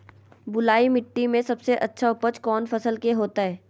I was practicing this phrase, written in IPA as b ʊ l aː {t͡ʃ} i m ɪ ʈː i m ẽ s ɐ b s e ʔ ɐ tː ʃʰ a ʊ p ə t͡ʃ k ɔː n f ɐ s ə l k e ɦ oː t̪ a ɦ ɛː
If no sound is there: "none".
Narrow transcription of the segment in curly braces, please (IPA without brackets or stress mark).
none